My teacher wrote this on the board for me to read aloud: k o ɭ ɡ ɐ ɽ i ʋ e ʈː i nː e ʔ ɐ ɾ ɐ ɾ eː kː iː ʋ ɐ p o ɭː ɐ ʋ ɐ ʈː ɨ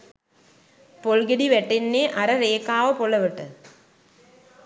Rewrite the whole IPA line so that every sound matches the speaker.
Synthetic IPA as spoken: p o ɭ ɡ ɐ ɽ i ʋ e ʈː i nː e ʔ ɐ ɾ ɐ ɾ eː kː aː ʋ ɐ p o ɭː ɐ ʋ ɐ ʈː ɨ